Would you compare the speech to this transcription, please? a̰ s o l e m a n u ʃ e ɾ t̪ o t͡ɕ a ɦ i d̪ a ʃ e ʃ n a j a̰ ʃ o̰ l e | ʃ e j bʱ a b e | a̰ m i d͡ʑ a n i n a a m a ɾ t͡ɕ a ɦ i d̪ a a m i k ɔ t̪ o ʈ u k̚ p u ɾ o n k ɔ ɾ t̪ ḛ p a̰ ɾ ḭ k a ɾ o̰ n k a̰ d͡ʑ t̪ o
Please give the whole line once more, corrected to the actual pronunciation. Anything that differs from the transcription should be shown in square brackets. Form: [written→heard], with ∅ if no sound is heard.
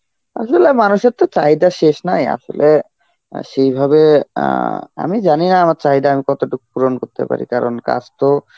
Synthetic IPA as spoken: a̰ [s→ʃ] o l e m a n u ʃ e ɾ t̪ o t͡ɕ a ɦ i d̪ a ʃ e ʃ n a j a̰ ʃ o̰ l e | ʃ e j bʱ a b e | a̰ m i d͡ʑ a n i n a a m a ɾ t͡ɕ a ɦ i d̪ a a m i k ɔ t̪ o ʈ u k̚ p u ɾ o n k [ɔ→o] ɾ t̪ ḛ p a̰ ɾ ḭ k a ɾ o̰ n k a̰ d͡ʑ t̪ o